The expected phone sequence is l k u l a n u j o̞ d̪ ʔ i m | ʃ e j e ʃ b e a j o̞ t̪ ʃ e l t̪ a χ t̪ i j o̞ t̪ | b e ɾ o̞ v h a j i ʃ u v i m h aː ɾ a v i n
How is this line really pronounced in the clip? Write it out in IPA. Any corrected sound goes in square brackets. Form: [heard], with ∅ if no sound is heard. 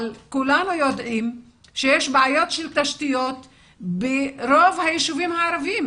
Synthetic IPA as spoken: l k u l a n u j o̞ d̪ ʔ i m | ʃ e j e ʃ b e a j o̞ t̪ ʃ e l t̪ a [ʃ] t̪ i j o̞ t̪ | b e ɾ o̞ v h a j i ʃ u v i m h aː ɾ a v i [m]